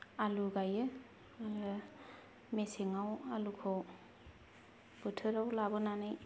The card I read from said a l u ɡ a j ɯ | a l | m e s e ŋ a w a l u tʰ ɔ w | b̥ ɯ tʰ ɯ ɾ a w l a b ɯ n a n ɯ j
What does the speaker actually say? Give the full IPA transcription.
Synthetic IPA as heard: a l u ɡ a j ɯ | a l | m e s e ŋ a w a l u kʰ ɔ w | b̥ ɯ tʰ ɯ ɾ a w l a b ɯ n a n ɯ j